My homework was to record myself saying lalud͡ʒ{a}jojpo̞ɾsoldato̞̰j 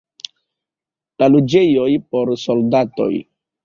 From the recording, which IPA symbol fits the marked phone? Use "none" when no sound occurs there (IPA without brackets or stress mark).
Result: e